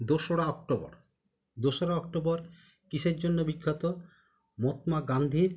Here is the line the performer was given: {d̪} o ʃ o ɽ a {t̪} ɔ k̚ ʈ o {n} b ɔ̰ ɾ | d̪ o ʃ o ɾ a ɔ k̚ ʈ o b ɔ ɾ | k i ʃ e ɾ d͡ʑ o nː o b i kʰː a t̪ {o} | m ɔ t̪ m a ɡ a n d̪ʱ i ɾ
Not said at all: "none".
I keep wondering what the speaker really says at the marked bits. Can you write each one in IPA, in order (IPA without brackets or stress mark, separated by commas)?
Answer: d̪, none, none, o